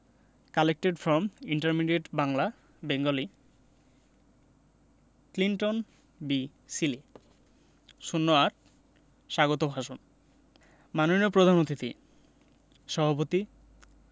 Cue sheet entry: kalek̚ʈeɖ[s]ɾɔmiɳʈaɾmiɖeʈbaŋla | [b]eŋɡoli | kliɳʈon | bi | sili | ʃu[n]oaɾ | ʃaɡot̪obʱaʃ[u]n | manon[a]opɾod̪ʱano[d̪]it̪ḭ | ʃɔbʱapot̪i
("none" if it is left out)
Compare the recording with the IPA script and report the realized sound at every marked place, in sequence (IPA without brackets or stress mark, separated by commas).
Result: f, b, nː, o, i, t̪